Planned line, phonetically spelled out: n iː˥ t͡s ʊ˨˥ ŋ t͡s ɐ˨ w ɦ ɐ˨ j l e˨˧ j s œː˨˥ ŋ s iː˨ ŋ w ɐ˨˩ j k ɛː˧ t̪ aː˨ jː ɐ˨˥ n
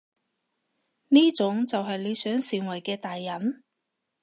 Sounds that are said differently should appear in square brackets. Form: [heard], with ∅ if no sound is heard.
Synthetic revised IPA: n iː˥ t͡s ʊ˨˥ ŋ t͡s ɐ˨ w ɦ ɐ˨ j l e˨˧ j s œː˨˥ ŋ s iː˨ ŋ w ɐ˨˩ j k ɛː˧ t̪ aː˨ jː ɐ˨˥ n